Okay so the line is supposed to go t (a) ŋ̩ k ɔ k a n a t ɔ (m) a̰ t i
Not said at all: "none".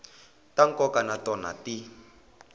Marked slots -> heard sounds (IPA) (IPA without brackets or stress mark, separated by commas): a, n